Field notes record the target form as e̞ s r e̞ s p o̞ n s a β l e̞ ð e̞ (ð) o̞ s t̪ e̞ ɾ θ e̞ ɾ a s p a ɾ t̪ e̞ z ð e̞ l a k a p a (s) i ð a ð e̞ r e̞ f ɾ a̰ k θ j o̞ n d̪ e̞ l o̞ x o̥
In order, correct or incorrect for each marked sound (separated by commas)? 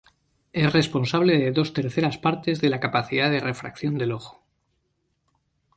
correct, incorrect